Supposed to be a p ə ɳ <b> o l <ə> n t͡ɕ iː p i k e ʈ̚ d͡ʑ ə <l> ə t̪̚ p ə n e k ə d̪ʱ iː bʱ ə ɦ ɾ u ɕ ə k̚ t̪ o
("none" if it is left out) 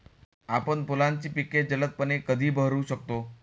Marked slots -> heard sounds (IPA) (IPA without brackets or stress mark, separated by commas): p, a, l